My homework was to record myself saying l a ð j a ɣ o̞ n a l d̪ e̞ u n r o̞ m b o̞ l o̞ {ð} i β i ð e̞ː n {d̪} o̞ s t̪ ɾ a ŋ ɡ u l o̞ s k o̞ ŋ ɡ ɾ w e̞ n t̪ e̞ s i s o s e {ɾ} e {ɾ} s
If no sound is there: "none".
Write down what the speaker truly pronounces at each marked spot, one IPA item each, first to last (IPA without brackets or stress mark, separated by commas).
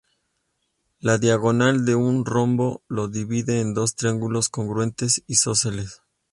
ð, d̪, l, none